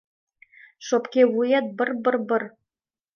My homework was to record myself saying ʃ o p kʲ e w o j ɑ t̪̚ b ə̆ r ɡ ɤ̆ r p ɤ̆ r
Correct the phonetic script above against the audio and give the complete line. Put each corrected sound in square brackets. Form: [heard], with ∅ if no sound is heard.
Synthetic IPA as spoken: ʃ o p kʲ e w [u] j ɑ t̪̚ b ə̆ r [b] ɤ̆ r [b] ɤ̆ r